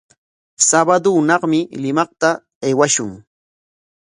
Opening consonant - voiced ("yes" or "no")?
no